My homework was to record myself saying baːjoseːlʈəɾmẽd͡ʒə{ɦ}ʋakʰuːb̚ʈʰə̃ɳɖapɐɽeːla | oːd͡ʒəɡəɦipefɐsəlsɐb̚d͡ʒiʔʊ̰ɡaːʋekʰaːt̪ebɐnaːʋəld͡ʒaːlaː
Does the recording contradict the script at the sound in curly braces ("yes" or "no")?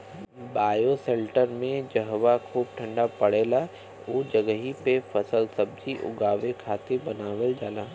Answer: no